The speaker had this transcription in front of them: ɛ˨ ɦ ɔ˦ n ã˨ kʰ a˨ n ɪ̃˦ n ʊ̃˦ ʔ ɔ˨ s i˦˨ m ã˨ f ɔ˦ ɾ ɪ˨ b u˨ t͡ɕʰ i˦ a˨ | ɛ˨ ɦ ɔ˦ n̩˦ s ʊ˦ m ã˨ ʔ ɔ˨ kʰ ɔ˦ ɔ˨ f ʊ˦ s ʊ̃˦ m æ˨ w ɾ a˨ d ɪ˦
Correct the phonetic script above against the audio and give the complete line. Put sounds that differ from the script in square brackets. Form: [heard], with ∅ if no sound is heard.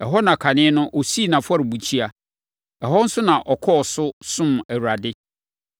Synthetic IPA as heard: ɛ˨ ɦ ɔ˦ n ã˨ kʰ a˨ n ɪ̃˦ n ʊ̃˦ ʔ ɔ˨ s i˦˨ [n] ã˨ f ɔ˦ ɾ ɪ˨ b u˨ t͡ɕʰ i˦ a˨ | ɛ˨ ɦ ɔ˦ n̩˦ s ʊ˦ [n] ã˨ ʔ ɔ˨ kʰ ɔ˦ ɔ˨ [s] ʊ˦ s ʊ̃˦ m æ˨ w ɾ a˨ d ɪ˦